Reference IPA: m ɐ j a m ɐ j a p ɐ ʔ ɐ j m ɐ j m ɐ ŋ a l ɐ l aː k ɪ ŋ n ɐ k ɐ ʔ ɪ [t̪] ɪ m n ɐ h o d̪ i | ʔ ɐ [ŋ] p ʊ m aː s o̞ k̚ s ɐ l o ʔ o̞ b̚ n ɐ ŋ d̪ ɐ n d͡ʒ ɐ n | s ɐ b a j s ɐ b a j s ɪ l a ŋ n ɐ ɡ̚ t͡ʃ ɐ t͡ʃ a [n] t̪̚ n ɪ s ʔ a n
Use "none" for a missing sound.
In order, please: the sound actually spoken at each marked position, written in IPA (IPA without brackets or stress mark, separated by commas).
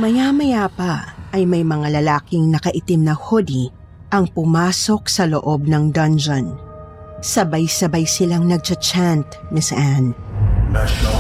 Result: t̪, ŋ, n